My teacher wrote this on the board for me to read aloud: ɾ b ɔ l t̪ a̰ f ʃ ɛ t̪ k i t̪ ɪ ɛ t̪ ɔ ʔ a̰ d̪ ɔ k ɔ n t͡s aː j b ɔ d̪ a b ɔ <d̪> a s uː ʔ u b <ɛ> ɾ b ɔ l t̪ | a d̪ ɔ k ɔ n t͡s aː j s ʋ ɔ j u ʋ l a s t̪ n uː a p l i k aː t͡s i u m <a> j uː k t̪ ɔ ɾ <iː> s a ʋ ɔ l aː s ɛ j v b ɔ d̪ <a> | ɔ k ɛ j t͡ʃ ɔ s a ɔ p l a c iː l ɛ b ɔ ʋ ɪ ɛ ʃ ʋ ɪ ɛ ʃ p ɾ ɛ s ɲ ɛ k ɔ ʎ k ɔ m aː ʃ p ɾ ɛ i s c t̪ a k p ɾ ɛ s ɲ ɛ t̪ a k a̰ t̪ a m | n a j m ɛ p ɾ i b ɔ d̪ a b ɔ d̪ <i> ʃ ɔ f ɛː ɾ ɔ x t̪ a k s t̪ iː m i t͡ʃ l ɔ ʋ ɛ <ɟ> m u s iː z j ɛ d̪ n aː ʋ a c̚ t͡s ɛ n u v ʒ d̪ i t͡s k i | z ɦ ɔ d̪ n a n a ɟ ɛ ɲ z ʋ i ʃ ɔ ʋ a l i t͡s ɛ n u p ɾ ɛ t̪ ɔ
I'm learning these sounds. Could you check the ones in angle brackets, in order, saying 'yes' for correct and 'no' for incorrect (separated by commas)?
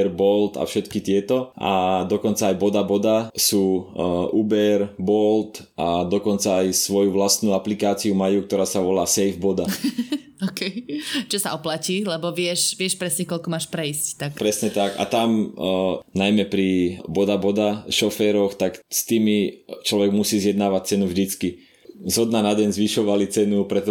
yes, yes, yes, no, yes, no, no